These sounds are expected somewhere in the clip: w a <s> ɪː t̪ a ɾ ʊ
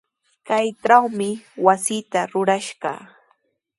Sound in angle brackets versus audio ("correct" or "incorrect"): correct